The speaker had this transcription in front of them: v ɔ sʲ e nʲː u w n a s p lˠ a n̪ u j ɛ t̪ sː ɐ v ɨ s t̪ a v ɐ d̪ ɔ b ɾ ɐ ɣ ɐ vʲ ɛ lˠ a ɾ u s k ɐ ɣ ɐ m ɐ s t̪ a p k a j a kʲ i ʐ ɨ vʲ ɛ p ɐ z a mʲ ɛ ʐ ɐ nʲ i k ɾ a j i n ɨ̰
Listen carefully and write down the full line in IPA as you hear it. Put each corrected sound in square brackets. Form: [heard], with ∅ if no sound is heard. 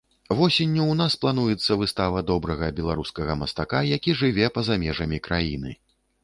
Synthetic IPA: v ɔ sʲ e nʲː u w n a s p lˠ a n̪ u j ɛ t̪ sː ɐ v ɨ s t̪ a v ɐ d̪ ɔ b ɾ ɐ ɣ ɐ [bʲ] ɛ lˠ a ɾ u s k ɐ ɣ ɐ m ɐ s t̪ a [∅] k a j a kʲ i ʐ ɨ vʲ ɛ p ɐ z a mʲ ɛ ʐ ɐ [mʲ] i k ɾ a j i n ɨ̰